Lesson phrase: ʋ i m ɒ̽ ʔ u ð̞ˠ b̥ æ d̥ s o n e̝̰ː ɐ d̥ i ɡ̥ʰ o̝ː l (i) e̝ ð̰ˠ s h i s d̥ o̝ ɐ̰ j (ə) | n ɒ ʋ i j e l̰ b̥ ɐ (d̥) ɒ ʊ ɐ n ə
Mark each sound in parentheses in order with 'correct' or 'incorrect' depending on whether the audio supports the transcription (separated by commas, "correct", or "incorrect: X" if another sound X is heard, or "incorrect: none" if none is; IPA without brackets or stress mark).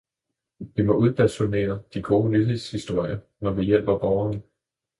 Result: incorrect: y, incorrect: ɐ, incorrect: b̥